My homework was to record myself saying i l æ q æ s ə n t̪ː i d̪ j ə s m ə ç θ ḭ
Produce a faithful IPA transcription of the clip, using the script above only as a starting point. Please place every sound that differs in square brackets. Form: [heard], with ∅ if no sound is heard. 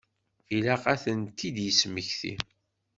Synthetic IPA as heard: i l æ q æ [θ] ə n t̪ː i d̪ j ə s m ə ç θ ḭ

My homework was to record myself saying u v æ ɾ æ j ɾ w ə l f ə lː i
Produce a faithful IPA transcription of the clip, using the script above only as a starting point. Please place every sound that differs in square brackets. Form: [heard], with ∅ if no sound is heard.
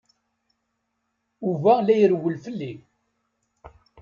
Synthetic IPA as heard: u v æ [l] æ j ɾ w ə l f ə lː i

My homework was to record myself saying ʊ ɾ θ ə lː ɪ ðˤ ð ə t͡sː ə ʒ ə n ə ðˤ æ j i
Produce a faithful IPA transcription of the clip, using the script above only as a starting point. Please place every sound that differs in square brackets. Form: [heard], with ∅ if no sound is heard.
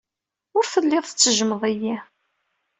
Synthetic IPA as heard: ʊ ɾ [f] ə lː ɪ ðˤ [θ] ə t͡sː ə ʒ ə [m] ə ðˤ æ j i

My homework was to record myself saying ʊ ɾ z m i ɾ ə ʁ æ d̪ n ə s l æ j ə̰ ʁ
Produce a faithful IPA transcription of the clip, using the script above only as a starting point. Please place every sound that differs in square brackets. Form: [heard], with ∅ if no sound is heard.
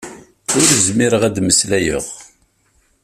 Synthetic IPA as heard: ʊ ɾ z m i ɾ ə ʁ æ d̪ [m] ə s l æ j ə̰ ʁ

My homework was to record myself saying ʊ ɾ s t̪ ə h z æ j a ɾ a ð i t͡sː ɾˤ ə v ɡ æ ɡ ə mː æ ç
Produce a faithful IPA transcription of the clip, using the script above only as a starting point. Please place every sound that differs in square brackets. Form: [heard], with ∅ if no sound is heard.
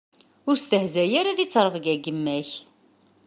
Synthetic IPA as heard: ʊ ɾ s t̪ ə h z æ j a ɾ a ð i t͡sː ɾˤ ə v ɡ æ ɡ ə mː æ ç

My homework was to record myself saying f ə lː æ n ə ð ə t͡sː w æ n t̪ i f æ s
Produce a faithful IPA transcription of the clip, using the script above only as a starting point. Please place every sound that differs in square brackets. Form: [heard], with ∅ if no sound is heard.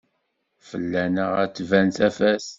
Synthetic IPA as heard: f ə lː æ n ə [ʁ] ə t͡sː [v] æ n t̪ [æ] f æ s

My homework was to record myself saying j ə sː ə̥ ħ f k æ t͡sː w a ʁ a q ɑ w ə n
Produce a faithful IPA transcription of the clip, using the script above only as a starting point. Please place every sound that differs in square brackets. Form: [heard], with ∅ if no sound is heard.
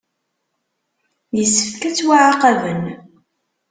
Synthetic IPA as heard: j ə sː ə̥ [f] f k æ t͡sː w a [ʕ] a q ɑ [v] ə n

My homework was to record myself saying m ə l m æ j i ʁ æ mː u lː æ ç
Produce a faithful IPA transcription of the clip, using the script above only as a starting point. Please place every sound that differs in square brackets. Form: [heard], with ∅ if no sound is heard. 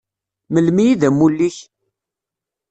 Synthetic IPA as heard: m ə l m [i] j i [ð] æ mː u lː [i] ç

